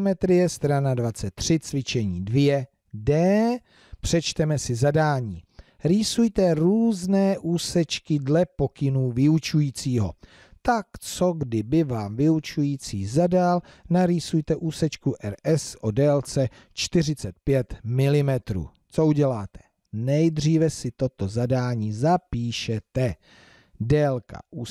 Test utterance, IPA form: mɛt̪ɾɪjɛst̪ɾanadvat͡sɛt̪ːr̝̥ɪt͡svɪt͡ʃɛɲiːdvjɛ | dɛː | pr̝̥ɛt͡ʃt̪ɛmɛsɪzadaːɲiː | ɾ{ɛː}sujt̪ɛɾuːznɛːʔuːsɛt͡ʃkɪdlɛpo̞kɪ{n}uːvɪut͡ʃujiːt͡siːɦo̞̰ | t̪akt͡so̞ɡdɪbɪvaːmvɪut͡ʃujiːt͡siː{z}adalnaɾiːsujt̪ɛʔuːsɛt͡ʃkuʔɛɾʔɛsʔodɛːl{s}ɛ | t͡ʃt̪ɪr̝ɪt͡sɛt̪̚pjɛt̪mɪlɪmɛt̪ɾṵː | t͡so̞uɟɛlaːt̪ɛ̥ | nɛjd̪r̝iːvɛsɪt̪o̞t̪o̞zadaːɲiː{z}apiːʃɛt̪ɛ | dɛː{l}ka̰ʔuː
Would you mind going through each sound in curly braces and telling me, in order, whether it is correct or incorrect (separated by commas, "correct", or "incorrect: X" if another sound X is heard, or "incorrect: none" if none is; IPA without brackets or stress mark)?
incorrect: iː, correct, correct, incorrect: t͡s, correct, correct